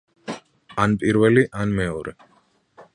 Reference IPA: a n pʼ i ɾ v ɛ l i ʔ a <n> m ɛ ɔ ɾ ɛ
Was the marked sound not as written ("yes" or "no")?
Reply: no